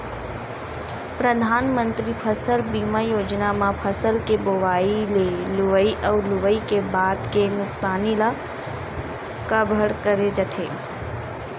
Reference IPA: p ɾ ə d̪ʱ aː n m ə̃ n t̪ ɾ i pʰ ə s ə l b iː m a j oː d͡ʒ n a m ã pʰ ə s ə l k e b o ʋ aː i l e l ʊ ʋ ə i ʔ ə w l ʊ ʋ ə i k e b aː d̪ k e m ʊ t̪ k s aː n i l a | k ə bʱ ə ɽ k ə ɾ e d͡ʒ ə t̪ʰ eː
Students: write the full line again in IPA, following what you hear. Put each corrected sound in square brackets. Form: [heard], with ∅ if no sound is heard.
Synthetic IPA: p ɾ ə d̪ʱ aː n m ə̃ n t̪ ɾ i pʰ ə s ə l b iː m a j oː d͡ʒ n a m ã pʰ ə s ə l k e b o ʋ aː i l e l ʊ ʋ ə i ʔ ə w l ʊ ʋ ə i k e b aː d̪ k e [n] ʊ [∅] k s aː n i l a | k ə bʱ ə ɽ k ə ɾ e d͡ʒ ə t̪ʰ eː